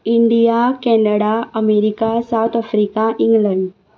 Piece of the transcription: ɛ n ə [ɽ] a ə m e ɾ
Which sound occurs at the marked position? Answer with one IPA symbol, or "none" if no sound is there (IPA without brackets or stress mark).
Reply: ɽ